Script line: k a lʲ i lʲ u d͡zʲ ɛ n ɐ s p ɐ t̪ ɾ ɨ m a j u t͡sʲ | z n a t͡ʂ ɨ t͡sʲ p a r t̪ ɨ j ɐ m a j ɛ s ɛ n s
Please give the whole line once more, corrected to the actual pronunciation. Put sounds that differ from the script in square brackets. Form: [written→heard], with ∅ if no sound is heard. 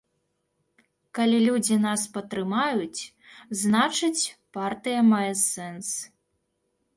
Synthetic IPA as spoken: k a lʲ i lʲ u d͡zʲ [ɛ→i] n [ɐ→a] s p ɐ t̪ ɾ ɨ m a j u t͡sʲ | z n a t͡ʂ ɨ t͡sʲ p a r t̪ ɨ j ɐ m a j ɛ s ɛ n s